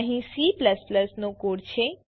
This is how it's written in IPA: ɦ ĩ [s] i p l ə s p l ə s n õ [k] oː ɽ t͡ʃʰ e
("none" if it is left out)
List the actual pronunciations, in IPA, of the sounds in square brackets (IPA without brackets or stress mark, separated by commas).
s, k